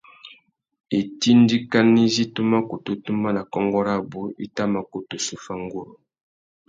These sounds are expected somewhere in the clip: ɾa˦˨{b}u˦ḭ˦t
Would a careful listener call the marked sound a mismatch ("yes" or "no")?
no